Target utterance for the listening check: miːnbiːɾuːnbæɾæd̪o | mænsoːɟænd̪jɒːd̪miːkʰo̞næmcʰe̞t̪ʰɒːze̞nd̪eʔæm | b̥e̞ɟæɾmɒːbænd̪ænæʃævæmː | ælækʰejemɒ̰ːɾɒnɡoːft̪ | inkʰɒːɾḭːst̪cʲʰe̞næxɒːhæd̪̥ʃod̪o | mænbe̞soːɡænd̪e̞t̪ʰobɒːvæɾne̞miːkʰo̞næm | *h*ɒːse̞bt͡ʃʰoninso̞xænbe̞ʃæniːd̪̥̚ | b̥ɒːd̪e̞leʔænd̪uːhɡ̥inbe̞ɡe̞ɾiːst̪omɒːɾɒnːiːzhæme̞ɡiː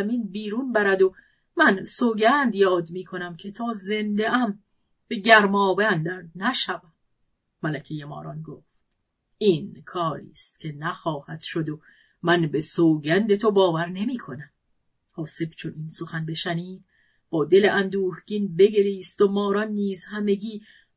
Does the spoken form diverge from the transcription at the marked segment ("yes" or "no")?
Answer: no